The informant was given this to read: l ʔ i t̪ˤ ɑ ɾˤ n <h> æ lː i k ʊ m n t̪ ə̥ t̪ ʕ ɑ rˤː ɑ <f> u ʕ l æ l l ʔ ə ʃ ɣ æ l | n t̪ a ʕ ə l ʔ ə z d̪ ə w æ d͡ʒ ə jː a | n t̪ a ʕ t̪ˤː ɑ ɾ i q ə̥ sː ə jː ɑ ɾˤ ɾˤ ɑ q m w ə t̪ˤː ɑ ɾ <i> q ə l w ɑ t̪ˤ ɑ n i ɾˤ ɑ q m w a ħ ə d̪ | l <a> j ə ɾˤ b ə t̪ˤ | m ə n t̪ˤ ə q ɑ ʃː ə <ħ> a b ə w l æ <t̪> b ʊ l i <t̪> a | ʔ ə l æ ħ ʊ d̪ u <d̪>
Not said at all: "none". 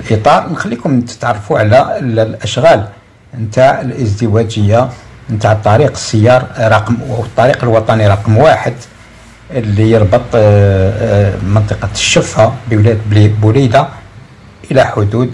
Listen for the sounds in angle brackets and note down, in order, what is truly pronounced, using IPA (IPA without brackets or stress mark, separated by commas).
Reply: x, f, i, i, f, d̪, d̪, d̪